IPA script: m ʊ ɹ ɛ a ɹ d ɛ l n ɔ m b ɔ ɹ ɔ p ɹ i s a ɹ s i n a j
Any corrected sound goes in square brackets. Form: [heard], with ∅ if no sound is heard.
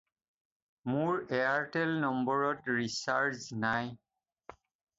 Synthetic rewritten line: m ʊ ɹ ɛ a ɹ [t] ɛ l n ɔ m b ɔ ɹ ɔ [t] ɹ i s a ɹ [z] i n a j